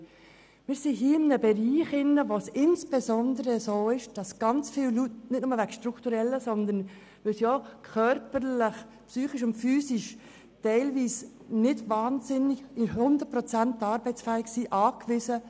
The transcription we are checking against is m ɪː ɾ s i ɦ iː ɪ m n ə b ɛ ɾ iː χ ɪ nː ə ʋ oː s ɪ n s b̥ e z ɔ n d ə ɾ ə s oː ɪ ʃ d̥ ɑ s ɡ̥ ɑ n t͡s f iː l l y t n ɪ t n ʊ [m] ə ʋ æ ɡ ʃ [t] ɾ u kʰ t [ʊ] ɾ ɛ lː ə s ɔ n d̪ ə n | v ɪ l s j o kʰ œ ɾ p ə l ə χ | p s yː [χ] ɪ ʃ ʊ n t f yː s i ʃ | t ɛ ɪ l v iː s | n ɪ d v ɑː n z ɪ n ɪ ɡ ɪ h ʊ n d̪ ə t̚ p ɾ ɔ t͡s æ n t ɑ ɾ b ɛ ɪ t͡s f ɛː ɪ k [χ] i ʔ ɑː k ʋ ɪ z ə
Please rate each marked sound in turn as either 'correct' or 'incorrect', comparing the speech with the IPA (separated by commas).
correct, correct, incorrect, correct, incorrect